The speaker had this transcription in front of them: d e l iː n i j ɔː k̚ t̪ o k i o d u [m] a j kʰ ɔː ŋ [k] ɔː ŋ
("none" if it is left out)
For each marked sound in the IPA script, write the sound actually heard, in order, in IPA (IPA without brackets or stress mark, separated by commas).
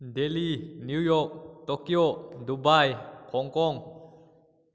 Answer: b, k